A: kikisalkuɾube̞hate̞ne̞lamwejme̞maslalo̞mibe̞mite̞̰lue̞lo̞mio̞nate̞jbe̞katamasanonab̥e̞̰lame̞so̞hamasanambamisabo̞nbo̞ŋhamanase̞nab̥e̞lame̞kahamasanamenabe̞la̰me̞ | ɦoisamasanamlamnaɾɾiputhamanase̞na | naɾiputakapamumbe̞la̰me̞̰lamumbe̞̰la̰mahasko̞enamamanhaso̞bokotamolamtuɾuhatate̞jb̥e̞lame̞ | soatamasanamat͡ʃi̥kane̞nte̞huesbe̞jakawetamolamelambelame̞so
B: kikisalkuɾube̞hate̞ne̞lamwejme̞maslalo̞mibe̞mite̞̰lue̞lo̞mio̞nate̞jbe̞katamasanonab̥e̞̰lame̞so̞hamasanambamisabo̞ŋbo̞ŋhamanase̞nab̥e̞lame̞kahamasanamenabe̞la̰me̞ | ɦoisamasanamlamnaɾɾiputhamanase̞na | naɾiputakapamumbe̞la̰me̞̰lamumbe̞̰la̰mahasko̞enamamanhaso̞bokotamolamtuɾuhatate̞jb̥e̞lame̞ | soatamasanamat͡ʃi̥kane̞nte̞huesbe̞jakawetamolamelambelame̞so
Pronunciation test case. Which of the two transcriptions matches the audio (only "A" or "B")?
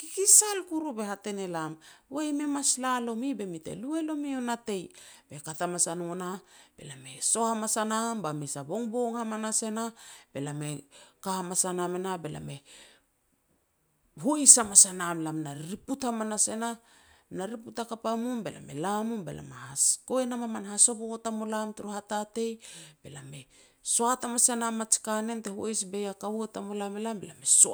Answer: B